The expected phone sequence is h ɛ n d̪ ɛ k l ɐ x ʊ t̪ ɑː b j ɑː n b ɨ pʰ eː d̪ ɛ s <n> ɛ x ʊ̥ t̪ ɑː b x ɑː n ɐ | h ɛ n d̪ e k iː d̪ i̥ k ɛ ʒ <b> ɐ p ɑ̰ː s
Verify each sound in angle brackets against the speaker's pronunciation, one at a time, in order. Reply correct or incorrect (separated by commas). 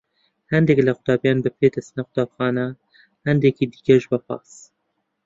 correct, correct